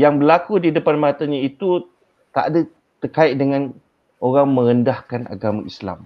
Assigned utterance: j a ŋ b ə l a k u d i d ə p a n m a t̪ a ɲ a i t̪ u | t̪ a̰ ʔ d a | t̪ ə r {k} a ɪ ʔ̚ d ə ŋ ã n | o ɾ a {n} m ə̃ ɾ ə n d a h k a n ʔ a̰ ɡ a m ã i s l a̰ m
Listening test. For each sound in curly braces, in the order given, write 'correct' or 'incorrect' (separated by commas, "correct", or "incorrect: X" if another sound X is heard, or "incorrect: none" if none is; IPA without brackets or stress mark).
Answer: correct, incorrect: ŋ